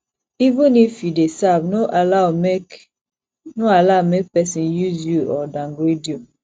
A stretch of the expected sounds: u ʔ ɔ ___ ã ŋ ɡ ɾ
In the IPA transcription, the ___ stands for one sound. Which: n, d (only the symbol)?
d